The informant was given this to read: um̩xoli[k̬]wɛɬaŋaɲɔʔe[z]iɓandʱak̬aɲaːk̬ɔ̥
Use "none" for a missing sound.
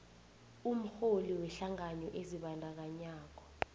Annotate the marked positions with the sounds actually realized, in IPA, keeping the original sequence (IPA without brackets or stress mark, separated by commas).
none, z